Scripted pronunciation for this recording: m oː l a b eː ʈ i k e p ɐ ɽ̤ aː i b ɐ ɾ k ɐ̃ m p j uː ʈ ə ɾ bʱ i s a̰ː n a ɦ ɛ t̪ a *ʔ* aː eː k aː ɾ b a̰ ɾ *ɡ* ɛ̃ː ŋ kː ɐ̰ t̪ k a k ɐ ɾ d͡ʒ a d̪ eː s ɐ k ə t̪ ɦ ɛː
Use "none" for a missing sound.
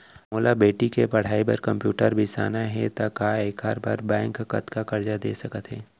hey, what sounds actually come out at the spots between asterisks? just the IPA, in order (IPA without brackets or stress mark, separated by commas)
k, b